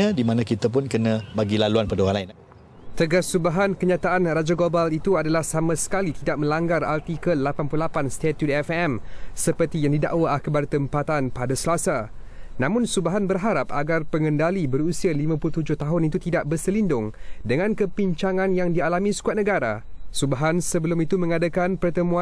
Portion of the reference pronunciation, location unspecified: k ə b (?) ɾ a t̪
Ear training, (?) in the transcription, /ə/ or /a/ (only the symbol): a